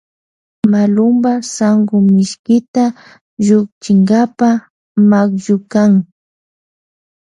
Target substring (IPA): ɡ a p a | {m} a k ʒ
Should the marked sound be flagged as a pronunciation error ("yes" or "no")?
no